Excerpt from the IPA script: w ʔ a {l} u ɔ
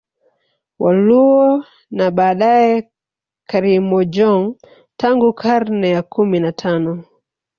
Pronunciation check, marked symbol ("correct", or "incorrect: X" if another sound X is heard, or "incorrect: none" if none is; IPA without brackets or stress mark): correct